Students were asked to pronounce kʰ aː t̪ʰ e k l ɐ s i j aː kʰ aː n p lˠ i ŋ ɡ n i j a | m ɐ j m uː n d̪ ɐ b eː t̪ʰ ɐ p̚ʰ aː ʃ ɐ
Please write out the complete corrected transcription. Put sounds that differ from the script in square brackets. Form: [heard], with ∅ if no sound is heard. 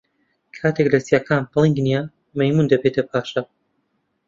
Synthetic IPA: kʰ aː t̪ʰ e k l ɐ s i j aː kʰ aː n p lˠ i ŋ ɡ n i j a | m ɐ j m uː n d̪ ɐ b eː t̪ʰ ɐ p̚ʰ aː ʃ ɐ